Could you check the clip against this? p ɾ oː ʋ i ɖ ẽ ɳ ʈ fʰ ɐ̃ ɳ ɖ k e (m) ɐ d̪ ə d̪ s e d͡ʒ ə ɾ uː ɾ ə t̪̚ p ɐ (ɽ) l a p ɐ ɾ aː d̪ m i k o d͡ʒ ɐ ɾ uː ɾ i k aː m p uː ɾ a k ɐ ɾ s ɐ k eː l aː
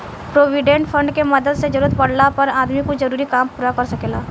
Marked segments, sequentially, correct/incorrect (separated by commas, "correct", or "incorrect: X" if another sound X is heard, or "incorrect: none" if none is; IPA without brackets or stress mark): correct, correct